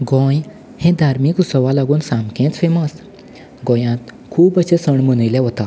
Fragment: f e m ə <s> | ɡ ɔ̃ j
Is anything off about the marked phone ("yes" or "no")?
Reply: no